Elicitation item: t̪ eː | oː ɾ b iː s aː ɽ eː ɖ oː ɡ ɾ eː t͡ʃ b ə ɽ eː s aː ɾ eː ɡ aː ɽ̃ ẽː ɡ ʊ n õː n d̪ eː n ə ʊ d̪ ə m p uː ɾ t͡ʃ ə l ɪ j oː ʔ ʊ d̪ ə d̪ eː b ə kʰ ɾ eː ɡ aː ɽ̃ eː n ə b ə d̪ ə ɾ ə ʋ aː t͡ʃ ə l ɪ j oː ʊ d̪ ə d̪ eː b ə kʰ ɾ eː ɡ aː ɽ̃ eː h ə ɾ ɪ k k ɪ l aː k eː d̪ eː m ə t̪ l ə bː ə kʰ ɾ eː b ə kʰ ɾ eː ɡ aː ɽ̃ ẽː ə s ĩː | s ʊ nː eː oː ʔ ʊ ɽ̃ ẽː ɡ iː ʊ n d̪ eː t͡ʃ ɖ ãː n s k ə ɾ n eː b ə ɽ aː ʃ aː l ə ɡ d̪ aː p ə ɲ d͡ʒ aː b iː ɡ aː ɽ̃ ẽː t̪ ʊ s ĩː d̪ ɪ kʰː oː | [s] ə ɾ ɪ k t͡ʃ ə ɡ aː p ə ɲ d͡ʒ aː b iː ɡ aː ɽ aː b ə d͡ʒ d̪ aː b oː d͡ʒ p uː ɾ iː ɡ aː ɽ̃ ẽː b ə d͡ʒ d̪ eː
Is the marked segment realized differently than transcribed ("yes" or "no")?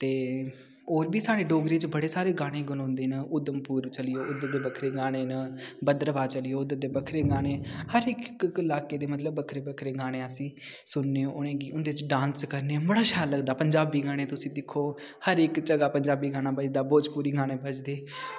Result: yes